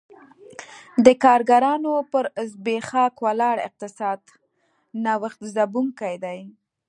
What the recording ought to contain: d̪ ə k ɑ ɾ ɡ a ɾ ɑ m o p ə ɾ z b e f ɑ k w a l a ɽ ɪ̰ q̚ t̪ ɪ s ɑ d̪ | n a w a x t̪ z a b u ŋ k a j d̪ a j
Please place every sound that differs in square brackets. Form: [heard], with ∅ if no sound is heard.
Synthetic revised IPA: d̪ ə k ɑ ɾ ɡ a ɾ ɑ [n] o p ə ɾ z b e [x] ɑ k w a l [ɑ] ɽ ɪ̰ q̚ t̪ ɪ s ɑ d̪ | n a w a x t̪ z a b u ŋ k a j d̪ a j

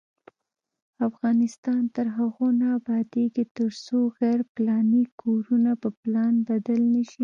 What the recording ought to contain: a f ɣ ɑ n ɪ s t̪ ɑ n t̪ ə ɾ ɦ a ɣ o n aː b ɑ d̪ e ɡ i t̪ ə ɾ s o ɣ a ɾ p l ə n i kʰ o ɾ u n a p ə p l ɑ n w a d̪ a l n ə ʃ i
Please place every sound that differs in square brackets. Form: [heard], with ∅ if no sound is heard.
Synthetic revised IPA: a f ɣ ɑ n ɪ s t̪ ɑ n t̪ ə ɾ ɦ a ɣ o n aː b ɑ d̪ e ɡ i t̪ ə ɾ s o ɣ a ɾ p l [ɑ] n i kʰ o ɾ u n a p ə p l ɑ n [b] a d̪ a l n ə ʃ i

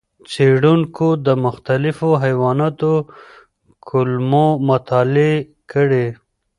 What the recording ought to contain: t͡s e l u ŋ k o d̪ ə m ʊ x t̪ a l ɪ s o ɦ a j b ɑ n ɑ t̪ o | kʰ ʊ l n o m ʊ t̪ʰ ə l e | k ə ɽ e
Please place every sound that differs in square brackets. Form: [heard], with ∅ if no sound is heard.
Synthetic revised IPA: t͡s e [ɽ] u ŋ k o d̪ ə m ʊ x t̪ a l ɪ [f] o ɦ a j [w] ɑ n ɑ t̪ o | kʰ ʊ l [m] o m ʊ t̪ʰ [ɑ] l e | k ə ɽ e

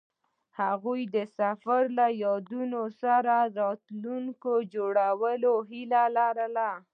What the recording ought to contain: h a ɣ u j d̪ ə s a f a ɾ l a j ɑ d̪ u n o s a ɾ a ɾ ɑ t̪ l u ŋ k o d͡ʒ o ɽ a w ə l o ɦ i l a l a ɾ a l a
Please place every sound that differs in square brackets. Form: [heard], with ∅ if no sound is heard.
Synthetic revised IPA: h a ɣ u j d̪ ə s a f a ɾ l a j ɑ d̪ u n o s a ɾ a ɾ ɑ t̪ l u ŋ k o d͡ʒ o ɽ a w ə l o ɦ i l a l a ɾ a l a

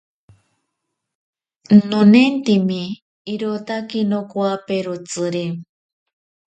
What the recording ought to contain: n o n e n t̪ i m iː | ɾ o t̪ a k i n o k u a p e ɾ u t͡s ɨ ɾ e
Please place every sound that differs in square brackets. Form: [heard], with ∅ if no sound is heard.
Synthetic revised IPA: n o n e n t̪ i m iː | ɾ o t̪ a k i n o k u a p e ɾ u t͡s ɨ ɾ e

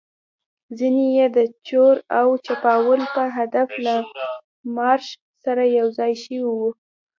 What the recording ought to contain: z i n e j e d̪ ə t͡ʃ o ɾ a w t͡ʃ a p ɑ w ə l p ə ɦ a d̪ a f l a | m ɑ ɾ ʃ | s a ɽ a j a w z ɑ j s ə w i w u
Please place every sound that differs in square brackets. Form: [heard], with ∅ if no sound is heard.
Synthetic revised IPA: z i n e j e d̪ ə t͡ʃ o ɾ a w t͡ʃ a p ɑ w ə l p ə ɦ a d̪ a f l a | m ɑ ɾ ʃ | s a [ɾ] a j a w z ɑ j [ʃ] ə w i w u

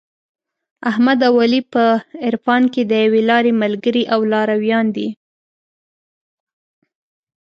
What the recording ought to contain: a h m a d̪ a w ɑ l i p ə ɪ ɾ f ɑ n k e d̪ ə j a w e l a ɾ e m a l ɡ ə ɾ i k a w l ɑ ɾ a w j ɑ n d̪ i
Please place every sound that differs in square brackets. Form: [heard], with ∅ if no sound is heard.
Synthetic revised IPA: a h m a d̪ a w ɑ l i p ə ɪ ɾ f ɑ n k e d̪ ə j a w e l [ɑ] ɾ e m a l ɡ ə ɾ i [ʔ] a w l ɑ ɾ a w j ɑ n d̪ i

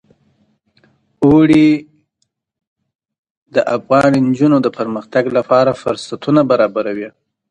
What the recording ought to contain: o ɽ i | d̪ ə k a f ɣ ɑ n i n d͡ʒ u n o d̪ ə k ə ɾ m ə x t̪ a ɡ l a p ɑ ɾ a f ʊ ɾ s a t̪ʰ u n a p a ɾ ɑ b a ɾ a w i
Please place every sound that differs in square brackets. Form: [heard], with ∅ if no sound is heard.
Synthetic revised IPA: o ɽ i | d̪ ə [ʔ] a f ɣ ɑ n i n d͡ʒ u n o d̪ ə [p] ə ɾ m ə x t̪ a ɡ l a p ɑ ɾ a f ʊ ɾ s a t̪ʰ u n a [b] a ɾ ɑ b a ɾ a w i

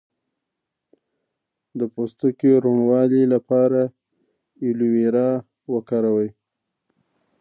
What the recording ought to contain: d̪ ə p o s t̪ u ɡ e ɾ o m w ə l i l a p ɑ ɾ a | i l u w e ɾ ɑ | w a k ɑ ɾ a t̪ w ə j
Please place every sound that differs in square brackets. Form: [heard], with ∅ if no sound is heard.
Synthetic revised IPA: d̪ ə p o s t̪ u [k] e ɾ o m w [ɑ] l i l a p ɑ ɾ a | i l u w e ɾ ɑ | w [ə] k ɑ ɾ a [∅] w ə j

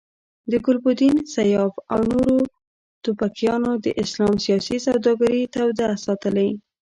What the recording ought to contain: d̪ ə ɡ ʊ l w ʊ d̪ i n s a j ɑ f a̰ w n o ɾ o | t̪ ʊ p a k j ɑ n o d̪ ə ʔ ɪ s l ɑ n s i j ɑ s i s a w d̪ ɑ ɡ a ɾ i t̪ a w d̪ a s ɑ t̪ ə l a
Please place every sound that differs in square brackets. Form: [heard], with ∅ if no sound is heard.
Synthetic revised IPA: d̪ ə ɡ ʊ l [b] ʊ d̪ i n s a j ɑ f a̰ w n o ɾ o | t̪ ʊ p a k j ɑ n o d̪ ə ʔ ɪ s l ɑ [m] s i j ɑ s i s a w d̪ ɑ ɡ a ɾ i t̪ a w d̪ a s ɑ t̪ ə l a

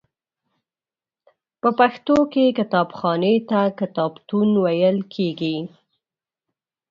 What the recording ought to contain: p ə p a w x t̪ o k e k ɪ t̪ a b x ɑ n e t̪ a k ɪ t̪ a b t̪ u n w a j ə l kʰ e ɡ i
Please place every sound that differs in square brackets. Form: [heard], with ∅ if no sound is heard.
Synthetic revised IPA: p ə p a [∅] x t̪ o k e k ɪ t̪ [ɑ] b x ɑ n e t̪ a k ɪ t̪ [ɑ] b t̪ u n w a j ə l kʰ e ɡ i

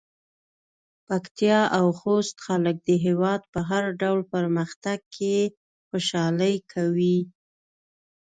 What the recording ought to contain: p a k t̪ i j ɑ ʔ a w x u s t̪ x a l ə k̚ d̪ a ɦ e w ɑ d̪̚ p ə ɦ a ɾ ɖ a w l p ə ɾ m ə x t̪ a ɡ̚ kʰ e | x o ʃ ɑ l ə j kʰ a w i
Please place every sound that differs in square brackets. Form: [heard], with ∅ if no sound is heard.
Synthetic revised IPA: p a k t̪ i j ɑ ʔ a w x [o] s t̪ x a l ə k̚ d̪ [ə] ɦ e w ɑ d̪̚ p ə ɦ a ɾ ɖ a w l p ə ɾ m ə x t̪ a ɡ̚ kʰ e | x o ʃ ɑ l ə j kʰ a w i

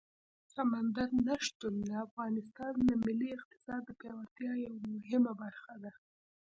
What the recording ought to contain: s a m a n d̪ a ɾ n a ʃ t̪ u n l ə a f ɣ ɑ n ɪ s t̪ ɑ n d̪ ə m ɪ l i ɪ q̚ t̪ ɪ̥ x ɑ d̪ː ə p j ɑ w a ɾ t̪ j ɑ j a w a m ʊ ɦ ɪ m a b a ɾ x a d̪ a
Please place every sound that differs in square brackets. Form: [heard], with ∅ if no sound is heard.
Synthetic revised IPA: s a m a n d̪ a ɾ n a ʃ t̪ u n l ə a f ɣ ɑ n ɪ s t̪ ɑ n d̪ ə m ɪ l i ɪ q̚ t̪ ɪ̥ [s] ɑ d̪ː ə p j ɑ w a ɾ t̪ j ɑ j a w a m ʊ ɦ ɪ m a b a ɾ x a d̪ a

